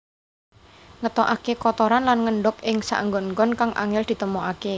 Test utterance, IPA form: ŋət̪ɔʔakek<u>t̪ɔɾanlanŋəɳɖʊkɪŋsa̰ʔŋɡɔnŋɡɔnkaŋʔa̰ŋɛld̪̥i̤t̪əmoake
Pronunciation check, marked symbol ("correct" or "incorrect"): incorrect